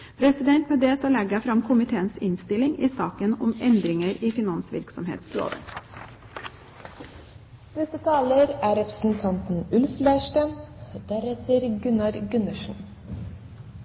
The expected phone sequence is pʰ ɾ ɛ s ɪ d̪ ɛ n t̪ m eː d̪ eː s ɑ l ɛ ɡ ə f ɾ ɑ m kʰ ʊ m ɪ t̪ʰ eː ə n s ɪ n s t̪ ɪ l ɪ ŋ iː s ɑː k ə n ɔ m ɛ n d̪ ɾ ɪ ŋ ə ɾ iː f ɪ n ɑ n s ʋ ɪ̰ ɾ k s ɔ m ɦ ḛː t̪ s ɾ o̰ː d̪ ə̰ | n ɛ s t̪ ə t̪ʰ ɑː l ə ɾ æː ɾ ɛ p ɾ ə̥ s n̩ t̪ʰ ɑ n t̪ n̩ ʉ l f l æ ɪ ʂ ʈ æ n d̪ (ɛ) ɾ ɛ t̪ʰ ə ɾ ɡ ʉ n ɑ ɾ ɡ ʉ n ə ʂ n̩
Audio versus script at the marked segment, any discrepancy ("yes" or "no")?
yes